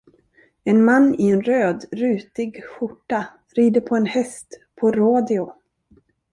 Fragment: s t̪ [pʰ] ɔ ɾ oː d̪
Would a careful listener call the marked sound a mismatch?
no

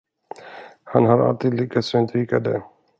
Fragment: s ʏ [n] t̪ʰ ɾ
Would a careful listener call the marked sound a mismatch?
no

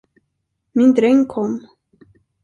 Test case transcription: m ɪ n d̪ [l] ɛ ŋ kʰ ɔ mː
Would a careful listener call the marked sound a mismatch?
yes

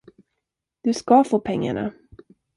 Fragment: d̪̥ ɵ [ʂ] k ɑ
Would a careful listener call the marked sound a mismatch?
yes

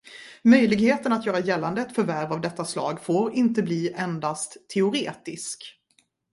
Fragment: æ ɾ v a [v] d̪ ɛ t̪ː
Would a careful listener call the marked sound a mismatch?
no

